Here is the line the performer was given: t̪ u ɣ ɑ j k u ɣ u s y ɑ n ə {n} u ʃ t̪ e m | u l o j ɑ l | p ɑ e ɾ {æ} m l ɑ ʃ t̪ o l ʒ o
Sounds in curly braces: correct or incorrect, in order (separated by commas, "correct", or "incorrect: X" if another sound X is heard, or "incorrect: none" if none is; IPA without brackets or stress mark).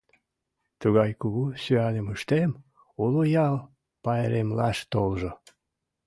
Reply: incorrect: m, incorrect: e